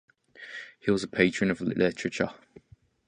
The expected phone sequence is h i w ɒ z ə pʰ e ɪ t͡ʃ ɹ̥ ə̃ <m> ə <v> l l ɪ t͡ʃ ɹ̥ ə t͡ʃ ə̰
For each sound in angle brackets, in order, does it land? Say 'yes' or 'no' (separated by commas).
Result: no, yes